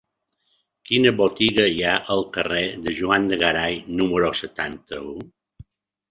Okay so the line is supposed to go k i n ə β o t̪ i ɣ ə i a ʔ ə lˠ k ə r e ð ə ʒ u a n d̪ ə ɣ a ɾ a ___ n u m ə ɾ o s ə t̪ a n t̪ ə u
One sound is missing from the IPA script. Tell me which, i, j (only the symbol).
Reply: j